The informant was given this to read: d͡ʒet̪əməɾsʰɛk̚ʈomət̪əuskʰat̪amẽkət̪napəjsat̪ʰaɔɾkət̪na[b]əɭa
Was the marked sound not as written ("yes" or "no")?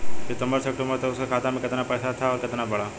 no